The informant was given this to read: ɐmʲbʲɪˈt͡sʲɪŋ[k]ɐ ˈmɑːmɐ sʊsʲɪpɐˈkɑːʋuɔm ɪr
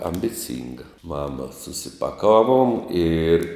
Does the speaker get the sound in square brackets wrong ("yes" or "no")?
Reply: yes